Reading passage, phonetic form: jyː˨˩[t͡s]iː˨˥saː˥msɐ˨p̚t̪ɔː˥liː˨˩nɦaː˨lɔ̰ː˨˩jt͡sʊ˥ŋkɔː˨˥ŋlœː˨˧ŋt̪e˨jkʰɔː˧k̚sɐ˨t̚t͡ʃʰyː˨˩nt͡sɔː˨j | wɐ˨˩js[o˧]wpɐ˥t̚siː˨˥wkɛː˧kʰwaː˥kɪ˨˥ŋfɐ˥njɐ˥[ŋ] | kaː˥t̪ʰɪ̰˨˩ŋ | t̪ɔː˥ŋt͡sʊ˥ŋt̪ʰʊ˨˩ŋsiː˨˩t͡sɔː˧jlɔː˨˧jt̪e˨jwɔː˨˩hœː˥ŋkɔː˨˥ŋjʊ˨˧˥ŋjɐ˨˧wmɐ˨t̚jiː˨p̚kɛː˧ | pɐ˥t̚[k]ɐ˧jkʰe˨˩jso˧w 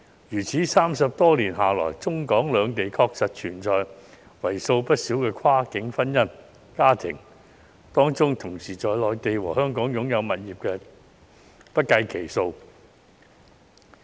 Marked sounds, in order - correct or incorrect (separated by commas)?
incorrect, correct, incorrect, correct